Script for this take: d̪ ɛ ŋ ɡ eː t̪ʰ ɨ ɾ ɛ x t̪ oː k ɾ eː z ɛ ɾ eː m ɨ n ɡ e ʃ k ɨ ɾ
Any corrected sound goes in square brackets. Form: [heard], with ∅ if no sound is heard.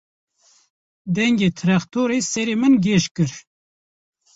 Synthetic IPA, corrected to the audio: d̪ ɛ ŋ ɡ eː t̪ʰ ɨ ɾ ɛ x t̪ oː [∅] ɾ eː [s] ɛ ɾ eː m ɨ n ɡ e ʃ k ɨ ɾ